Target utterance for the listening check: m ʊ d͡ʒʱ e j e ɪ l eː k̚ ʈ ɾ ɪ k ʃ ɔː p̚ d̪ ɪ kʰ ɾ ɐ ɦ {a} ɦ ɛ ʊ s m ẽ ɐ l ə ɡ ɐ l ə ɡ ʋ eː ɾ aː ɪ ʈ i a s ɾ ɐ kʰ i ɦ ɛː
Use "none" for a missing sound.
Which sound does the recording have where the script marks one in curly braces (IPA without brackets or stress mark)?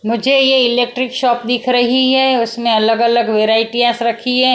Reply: i